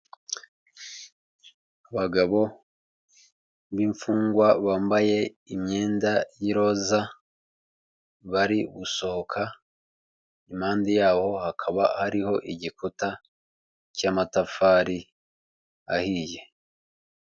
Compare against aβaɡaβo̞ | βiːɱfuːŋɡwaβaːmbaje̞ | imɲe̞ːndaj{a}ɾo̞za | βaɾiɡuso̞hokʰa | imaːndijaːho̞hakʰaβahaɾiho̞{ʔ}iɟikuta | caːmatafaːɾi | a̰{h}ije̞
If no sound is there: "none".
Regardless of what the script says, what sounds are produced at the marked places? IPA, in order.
i, ʔ, h

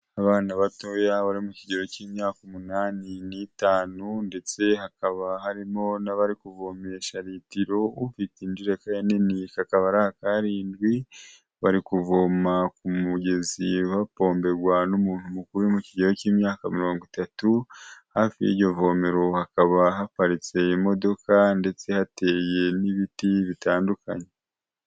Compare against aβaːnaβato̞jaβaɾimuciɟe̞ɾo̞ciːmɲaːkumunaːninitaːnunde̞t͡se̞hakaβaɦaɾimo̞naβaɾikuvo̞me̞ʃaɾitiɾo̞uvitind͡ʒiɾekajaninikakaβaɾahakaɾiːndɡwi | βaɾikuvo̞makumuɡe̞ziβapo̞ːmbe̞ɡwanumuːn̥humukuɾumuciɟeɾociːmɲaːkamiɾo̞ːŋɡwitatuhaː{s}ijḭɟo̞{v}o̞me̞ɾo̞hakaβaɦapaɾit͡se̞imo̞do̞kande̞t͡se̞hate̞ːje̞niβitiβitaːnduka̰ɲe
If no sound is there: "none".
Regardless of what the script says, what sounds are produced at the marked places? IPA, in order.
f, v

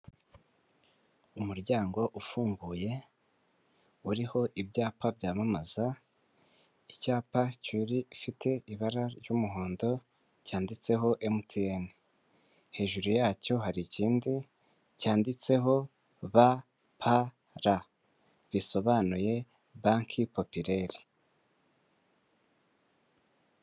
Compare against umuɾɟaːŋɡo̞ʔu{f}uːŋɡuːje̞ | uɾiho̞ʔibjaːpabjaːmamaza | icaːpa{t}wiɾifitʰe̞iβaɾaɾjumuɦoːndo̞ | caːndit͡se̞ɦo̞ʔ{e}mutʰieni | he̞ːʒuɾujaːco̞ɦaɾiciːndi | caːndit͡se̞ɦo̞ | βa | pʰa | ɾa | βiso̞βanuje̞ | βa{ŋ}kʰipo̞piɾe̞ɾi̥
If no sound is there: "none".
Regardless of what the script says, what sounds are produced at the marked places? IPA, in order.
f, c, e, ŋ

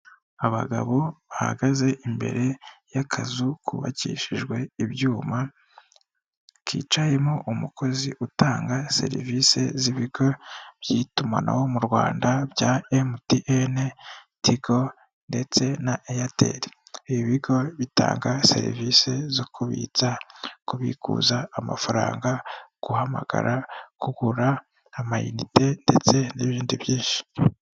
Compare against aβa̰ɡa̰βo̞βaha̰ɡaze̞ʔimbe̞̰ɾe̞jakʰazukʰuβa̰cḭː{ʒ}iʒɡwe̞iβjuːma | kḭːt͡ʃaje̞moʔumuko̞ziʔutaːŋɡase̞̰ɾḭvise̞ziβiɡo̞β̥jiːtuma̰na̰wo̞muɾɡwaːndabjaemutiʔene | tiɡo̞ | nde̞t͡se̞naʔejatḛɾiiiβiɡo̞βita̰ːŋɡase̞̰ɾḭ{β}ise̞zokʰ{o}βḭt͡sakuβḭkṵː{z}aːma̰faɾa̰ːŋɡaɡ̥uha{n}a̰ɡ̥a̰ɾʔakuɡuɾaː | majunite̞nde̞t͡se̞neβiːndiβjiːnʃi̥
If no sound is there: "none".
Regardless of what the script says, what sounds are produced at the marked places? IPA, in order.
ʃ, v, u, z, m

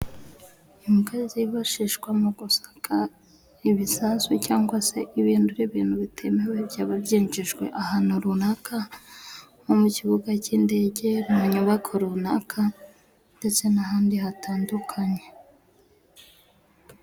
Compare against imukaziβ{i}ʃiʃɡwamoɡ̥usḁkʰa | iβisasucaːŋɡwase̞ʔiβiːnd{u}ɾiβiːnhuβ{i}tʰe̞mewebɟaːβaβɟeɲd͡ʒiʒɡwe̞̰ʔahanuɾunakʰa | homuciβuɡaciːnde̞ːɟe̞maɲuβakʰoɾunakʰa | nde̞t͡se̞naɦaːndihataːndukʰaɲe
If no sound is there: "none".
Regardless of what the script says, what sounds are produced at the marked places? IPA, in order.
a, u, i

